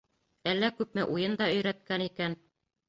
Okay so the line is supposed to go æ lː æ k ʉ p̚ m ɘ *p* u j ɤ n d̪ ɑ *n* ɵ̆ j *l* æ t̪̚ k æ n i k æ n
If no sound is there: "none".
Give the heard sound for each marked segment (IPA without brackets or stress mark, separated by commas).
ʔ, none, ɾ